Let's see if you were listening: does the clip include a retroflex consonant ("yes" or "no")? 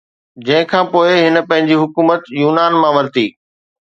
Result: no